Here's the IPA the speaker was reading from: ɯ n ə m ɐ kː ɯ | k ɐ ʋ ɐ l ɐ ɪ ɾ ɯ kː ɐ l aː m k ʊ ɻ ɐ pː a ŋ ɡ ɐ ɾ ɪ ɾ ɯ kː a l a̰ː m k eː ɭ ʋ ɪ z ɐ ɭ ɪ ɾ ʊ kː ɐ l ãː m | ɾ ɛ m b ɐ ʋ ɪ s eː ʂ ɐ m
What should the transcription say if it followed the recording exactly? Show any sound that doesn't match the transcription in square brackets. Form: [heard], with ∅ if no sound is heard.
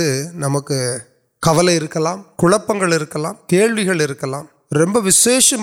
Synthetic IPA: ɯ n [ɐ] m ɐ kː ɯ | k ɐ ʋ ɐ l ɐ ɪ ɾ ɯ kː ɐ l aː m k ʊ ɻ ɐ pː [ɐ] ŋ ɡ ɐ [ɭ] ɪ ɾ ɯ kː [ɐ] l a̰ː m k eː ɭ ʋ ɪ [ɣ] ɐ ɭ ɪ ɾ [ɯ] kː ɐ l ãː m | ɾ ɛ m b ɐ ʋ ɪ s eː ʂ ɐ m